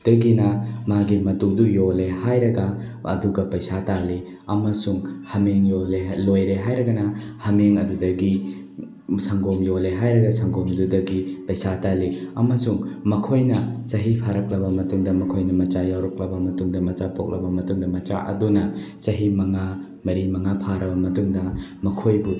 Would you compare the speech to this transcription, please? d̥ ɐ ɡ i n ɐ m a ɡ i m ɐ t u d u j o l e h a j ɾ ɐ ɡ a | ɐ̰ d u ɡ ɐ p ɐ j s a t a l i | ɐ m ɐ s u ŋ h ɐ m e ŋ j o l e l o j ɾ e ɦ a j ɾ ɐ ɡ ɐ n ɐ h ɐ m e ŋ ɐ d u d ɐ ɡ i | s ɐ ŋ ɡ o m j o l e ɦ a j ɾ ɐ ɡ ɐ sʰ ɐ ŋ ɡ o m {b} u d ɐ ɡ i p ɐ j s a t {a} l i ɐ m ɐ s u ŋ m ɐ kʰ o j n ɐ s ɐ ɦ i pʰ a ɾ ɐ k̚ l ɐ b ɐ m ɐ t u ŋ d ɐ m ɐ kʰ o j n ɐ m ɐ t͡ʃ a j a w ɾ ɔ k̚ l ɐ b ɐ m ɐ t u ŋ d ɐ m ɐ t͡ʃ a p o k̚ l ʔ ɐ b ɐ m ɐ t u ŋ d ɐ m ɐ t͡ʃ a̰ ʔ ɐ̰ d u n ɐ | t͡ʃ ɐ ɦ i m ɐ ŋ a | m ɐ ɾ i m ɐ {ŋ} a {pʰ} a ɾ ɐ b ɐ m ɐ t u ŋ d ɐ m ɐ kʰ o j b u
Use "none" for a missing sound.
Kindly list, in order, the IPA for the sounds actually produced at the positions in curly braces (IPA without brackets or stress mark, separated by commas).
d, a, ŋ, pʰ